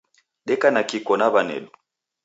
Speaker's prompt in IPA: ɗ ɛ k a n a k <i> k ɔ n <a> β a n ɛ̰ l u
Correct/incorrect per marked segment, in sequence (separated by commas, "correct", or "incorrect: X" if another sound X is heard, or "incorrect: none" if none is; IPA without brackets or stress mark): correct, correct